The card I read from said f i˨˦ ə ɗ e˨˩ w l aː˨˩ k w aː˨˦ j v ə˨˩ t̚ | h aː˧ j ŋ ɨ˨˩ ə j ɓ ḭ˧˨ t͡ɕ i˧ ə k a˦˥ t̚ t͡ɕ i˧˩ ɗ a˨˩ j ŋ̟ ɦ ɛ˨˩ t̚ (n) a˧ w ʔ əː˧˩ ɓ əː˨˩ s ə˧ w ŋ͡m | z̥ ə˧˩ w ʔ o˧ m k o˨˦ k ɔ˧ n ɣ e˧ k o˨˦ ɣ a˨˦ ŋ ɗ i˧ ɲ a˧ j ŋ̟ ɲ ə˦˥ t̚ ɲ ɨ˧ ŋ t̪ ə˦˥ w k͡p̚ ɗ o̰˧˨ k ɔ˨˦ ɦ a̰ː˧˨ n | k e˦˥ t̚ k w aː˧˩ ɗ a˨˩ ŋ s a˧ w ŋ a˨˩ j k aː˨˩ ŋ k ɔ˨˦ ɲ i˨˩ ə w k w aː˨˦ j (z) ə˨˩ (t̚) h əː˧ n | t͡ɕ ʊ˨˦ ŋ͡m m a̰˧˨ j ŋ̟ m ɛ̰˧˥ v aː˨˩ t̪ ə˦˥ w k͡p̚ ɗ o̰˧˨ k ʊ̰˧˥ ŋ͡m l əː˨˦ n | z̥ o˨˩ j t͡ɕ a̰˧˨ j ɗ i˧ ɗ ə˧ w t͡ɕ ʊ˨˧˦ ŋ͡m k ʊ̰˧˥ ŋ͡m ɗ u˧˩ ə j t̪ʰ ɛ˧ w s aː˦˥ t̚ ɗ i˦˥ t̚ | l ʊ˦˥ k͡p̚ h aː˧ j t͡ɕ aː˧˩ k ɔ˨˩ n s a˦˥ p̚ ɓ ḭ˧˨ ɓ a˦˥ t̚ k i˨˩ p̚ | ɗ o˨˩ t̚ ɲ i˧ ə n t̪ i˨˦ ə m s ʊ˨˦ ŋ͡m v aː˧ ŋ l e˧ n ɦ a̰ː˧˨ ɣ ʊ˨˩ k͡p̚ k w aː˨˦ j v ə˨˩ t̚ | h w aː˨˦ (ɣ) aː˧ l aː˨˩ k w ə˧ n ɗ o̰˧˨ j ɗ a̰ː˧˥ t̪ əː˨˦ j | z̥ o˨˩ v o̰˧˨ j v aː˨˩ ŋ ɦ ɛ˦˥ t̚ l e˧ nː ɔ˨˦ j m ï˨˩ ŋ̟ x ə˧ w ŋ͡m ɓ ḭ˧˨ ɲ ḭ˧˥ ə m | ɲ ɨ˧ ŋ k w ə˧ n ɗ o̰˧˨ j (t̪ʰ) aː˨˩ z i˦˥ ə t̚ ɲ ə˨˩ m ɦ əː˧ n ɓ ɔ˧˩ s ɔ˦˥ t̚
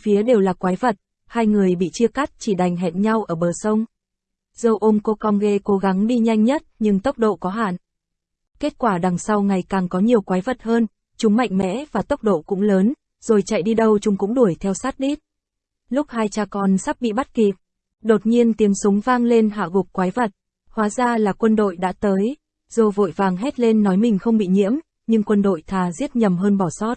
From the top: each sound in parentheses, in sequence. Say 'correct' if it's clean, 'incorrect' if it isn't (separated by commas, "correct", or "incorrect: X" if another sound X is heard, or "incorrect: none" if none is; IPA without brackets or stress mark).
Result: incorrect: ɲ, incorrect: v, correct, incorrect: z, correct